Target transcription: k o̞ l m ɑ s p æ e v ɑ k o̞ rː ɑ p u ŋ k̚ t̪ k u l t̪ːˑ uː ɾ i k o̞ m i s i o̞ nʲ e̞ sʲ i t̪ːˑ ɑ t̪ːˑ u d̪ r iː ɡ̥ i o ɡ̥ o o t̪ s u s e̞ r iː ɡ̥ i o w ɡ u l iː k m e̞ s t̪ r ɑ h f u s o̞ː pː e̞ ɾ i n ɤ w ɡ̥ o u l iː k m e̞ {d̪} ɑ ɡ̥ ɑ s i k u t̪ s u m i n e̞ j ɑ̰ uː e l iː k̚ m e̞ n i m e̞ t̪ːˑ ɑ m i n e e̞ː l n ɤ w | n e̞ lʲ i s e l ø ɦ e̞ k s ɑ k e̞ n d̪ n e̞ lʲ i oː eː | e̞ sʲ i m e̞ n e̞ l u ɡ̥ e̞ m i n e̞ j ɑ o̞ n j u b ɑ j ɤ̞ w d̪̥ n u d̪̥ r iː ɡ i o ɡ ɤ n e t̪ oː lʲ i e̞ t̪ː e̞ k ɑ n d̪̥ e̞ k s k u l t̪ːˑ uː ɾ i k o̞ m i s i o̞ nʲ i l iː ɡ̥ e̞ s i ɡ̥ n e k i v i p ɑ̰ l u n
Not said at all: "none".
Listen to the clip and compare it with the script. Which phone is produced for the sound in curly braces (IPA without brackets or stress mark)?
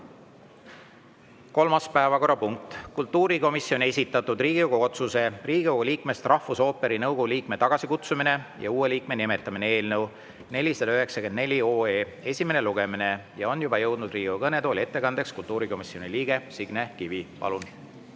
t̪